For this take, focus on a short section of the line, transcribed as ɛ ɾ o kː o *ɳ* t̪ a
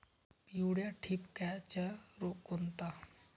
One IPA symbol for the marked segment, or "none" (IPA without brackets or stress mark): n